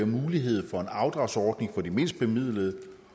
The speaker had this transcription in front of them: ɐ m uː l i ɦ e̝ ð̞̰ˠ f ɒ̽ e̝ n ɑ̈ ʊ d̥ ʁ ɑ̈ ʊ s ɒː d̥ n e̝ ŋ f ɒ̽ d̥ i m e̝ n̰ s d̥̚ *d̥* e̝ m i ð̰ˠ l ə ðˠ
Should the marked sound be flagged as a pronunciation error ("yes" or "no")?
yes